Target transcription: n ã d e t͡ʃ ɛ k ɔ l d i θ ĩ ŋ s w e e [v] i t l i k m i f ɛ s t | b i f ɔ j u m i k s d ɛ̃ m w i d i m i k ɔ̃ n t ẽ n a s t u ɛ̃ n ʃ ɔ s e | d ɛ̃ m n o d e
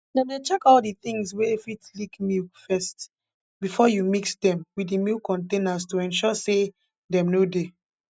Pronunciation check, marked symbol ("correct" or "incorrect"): incorrect